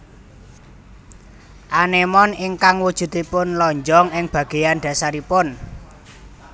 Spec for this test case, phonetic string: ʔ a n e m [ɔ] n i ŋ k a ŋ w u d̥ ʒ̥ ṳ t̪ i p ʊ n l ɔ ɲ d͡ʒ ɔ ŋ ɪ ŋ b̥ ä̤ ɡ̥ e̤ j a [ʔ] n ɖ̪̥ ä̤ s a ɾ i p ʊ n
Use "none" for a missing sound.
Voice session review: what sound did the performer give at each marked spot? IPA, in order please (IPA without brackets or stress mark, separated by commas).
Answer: ɔ, none